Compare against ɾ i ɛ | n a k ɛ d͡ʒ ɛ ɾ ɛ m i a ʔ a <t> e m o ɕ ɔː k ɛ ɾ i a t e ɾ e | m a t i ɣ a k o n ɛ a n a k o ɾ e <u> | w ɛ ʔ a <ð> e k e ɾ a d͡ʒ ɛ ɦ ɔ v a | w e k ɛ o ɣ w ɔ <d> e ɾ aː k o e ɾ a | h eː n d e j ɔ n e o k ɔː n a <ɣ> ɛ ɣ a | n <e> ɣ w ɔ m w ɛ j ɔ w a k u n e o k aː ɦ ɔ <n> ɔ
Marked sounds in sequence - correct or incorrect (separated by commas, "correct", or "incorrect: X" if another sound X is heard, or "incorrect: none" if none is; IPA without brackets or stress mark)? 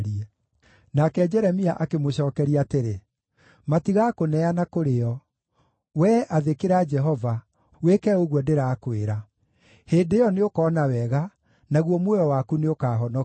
incorrect: k, incorrect: ɔ, correct, correct, incorrect: w, incorrect: a, correct